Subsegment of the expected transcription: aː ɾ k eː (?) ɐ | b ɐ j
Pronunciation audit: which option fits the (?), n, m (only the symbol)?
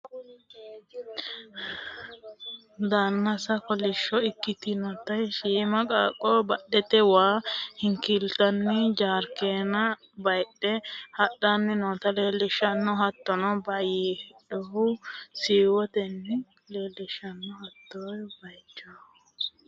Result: n